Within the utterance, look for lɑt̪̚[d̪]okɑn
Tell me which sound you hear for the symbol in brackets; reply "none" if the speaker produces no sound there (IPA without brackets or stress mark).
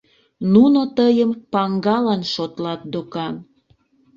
d̪